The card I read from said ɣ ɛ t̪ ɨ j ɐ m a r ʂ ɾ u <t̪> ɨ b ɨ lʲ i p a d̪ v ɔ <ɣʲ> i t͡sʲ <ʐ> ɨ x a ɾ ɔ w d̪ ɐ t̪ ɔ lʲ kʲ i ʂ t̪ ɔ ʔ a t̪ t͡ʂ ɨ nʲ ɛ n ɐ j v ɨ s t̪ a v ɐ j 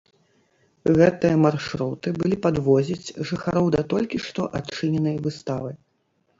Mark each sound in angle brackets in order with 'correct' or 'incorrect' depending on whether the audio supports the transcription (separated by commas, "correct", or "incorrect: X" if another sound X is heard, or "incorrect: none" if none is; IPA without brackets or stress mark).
correct, incorrect: zʲ, correct